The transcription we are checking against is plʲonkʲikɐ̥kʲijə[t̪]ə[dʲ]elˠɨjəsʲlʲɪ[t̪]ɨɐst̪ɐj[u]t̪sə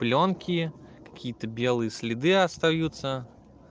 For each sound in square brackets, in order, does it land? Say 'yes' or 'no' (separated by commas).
yes, no, no, yes